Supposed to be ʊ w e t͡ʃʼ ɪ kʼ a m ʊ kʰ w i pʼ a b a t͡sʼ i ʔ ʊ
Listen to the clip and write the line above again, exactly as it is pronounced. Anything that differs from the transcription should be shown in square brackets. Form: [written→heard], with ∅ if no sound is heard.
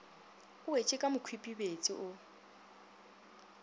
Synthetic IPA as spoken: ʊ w e t͡ʃʼ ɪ kʼ a m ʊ kʰ w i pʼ [a→i] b [a→e] t͡sʼ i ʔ ʊ